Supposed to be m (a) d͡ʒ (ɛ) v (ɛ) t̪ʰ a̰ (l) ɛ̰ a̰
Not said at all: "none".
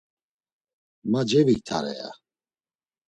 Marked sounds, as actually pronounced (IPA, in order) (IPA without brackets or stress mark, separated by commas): a, ɛ, i, ɾ